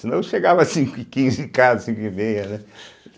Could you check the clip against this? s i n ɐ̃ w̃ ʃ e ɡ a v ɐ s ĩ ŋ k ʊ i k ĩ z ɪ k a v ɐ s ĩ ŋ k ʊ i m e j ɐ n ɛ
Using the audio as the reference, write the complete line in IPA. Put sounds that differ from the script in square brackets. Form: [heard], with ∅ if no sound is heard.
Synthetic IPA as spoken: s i n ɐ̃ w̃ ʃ e ɡ a v ɐ s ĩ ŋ k ʊ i k ĩ z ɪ k a [z] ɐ s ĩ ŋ k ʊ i m e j ɐ n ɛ